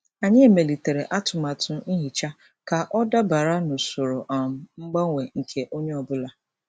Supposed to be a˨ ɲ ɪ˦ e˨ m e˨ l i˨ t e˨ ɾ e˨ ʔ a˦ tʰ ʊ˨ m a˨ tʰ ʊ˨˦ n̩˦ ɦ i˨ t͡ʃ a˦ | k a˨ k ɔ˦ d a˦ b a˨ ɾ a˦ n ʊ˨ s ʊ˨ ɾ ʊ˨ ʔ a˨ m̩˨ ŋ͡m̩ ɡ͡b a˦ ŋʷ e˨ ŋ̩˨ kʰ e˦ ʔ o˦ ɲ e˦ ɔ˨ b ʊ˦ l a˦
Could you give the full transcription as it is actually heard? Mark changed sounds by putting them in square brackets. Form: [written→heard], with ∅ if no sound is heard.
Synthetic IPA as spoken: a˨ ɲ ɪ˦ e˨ m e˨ l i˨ t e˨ ɾ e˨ ʔ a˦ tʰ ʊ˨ m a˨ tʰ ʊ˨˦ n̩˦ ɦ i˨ t͡ʃ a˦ | k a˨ [k→ʔ] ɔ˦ d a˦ b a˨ ɾ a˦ n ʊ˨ s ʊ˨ ɾ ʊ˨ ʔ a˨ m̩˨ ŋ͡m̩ ɡ͡b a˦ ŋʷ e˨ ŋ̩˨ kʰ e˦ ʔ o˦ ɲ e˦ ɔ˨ b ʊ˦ l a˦